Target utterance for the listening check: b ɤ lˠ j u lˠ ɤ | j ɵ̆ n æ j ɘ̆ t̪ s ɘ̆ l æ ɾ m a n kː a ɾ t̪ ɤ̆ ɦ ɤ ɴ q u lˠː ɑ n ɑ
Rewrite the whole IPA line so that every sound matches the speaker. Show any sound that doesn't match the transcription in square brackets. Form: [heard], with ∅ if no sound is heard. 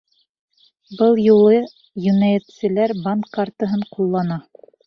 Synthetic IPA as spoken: b ɤ lˠ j u lˠ ɤ | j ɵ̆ n æ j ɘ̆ t̪ s ɘ̆ l æ ɾ [b] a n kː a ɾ t̪ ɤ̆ ɦ ɤ ɴ q u lˠː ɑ n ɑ

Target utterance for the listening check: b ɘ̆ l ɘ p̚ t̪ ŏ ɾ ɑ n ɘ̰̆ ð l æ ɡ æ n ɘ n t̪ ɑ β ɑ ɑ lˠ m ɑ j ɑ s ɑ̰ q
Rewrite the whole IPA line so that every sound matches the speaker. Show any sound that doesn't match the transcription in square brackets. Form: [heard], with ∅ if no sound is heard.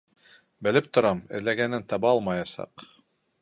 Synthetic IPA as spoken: b ɘ̆ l ɘ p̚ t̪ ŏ ɾ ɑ [m] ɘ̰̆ ð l æ ɡ æ n ɘ n t̪ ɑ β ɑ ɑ lˠ m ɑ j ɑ s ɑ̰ q

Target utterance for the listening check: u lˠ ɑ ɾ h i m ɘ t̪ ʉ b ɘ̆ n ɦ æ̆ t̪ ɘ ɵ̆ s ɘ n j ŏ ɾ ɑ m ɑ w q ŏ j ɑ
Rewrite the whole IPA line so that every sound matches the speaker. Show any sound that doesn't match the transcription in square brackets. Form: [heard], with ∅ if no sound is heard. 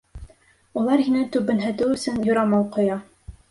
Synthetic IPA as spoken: u lˠ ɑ ɾ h i [n] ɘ t̪ ʉ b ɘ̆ n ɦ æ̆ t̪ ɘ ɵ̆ s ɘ n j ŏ ɾ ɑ m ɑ w q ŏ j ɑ

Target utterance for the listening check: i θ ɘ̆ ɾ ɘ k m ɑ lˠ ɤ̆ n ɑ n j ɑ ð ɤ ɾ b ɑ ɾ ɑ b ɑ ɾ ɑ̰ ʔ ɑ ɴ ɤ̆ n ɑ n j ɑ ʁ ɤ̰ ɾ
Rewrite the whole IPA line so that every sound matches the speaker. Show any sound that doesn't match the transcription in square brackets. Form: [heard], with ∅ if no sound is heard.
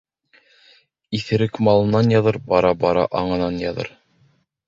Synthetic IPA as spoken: i θ ɘ̆ ɾ ɘ k m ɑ lˠ ɤ̆ n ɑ n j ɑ ð ɤ ɾ b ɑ ɾ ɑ b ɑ ɾ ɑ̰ ʔ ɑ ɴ ɤ̆ n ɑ n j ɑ [ð] ɤ̰ ɾ

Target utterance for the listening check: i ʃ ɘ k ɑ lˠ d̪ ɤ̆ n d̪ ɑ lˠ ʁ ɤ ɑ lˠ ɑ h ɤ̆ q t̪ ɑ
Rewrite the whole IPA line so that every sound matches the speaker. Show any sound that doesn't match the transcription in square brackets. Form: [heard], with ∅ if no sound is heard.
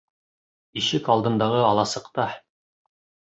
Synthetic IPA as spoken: i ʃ ɘ k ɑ lˠ d̪ ɤ̆ n d̪ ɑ [∅] ʁ ɤ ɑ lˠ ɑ [s] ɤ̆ q t̪ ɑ

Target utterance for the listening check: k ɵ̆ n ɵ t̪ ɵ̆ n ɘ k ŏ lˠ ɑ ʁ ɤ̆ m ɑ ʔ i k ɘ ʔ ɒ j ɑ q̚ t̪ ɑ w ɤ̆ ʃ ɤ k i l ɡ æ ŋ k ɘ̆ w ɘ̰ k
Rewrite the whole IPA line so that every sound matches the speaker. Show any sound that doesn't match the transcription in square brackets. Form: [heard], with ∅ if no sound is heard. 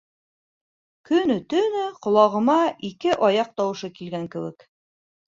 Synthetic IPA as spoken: k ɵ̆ n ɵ t̪ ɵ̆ n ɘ [q] ŏ lˠ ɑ ʁ ɤ̆ m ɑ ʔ i k ɘ ʔ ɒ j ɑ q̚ t̪ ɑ w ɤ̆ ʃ ɤ k i l ɡ æ ŋ k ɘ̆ w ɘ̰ k

